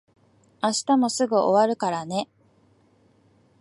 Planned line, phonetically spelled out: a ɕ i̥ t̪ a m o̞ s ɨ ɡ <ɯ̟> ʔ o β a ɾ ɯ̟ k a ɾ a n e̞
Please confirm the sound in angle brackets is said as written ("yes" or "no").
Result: yes